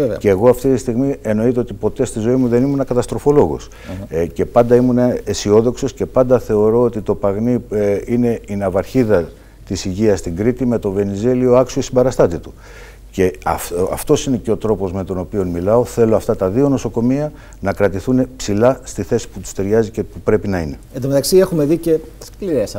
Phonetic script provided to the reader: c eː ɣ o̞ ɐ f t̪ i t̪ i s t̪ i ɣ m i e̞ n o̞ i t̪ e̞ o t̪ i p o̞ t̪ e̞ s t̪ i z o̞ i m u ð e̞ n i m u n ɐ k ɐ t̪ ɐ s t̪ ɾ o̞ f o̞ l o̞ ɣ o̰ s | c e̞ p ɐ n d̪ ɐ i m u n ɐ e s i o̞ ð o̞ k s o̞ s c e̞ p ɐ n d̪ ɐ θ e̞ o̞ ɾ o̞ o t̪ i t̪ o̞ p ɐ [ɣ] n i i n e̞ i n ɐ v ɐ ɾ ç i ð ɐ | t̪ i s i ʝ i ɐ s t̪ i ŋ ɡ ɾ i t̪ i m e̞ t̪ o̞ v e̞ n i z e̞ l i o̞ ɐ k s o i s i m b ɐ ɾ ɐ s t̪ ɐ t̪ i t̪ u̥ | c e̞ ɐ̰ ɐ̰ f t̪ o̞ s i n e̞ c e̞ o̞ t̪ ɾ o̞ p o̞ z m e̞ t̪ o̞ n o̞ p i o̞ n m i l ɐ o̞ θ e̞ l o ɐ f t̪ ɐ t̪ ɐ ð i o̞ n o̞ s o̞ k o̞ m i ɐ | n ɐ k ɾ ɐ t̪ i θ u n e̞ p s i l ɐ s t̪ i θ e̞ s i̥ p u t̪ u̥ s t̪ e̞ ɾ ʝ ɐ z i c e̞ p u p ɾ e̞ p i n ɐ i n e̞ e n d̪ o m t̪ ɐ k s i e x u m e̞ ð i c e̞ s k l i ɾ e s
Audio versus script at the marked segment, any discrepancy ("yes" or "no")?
no